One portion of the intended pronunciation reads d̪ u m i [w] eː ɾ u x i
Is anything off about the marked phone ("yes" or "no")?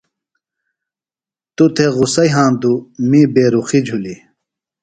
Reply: yes